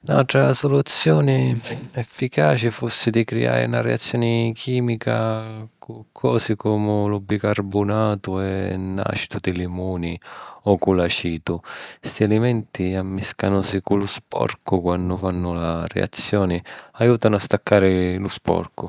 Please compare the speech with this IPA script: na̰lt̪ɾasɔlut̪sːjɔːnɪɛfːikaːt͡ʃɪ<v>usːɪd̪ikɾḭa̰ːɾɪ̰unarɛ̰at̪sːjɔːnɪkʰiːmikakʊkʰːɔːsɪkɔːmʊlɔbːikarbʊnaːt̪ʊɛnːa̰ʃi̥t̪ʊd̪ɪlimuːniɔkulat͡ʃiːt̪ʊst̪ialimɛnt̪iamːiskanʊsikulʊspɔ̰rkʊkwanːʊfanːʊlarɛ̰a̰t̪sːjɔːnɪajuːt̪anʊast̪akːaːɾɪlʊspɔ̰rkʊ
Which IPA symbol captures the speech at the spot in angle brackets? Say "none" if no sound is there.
f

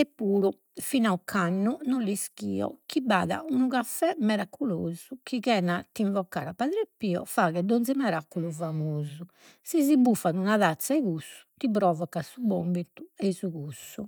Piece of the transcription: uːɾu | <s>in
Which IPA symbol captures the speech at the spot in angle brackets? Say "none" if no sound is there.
f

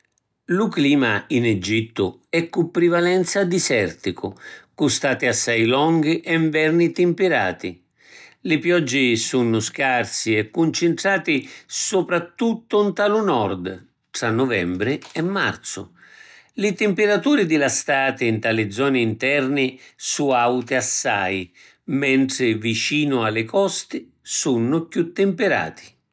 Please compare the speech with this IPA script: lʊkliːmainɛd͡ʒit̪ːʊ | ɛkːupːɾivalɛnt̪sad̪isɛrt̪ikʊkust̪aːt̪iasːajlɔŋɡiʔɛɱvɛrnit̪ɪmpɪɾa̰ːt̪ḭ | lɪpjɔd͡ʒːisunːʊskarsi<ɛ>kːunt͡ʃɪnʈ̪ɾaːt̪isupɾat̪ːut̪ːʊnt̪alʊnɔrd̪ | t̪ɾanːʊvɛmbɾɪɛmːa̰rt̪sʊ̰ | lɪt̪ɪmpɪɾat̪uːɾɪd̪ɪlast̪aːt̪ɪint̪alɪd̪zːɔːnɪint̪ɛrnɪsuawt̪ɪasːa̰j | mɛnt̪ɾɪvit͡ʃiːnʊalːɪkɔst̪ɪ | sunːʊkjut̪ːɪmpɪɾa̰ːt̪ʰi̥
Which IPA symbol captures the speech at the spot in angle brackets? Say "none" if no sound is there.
ɛ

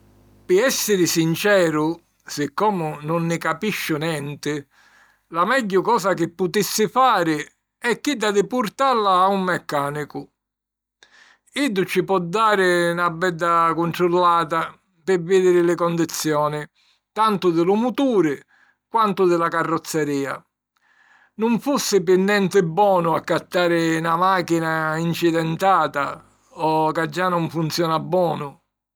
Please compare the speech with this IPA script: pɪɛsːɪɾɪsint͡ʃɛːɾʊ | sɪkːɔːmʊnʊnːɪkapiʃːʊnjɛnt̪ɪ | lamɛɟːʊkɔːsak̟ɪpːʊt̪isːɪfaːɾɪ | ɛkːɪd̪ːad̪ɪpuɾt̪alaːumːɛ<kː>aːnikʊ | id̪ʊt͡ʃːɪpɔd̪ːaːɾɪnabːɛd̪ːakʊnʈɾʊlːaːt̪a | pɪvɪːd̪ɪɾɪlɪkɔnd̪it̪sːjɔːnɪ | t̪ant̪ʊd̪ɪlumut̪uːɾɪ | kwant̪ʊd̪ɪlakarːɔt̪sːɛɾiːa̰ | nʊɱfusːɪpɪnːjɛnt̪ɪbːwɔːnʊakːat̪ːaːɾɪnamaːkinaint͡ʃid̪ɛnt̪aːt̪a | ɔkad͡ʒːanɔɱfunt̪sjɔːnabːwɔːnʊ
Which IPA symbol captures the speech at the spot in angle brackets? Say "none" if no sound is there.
kː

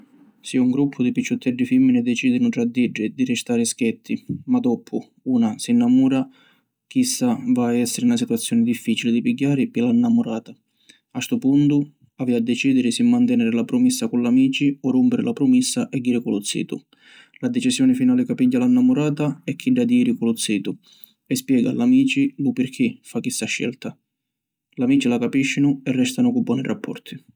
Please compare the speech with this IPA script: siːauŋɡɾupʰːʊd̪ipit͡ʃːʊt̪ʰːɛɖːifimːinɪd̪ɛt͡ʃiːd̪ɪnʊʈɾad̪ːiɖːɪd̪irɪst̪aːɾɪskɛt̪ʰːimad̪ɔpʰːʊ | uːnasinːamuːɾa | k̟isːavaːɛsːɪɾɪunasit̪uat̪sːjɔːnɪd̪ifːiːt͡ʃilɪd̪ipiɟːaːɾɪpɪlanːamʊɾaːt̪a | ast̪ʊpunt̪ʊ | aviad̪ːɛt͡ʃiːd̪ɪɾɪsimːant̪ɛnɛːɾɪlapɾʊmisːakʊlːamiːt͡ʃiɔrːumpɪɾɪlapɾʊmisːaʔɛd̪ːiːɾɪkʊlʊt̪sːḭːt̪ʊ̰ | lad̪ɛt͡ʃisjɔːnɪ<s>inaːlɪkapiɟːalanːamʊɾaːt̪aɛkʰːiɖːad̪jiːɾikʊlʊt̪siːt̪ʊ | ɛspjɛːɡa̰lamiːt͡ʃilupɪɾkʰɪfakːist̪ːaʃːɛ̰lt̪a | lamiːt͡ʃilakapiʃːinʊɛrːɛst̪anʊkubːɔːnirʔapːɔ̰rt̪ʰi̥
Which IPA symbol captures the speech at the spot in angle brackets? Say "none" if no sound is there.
f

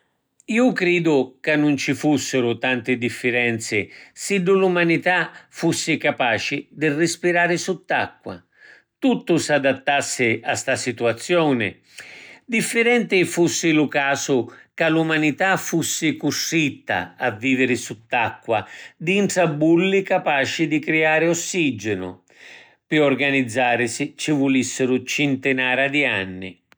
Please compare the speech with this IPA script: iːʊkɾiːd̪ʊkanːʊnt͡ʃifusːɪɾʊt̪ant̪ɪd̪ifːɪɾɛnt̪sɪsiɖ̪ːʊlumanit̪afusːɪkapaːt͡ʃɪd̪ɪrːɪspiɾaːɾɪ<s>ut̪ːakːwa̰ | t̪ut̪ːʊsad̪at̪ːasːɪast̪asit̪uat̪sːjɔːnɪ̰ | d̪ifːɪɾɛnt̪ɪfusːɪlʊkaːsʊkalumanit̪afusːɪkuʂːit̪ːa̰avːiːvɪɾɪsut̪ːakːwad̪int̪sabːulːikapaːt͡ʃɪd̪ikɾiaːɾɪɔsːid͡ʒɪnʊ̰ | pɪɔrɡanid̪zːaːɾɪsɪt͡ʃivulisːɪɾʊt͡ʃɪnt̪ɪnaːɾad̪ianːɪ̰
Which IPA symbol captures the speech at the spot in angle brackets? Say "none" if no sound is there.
s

